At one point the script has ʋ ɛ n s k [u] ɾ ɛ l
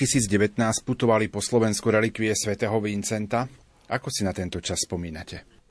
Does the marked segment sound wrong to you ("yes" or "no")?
no